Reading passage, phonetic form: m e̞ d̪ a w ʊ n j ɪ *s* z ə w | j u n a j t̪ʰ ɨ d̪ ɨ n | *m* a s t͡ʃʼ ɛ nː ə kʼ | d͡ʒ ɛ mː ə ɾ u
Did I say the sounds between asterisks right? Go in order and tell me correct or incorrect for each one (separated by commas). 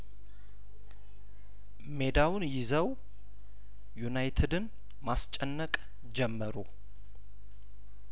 incorrect, correct